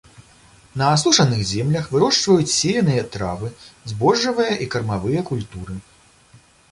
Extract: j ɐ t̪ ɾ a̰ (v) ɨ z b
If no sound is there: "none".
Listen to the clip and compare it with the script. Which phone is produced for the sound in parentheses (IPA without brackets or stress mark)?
v